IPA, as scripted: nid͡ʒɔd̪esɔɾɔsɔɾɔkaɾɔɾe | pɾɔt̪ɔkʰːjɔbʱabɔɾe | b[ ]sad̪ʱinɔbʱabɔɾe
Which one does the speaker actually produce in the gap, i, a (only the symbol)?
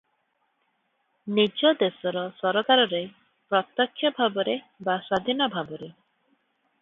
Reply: a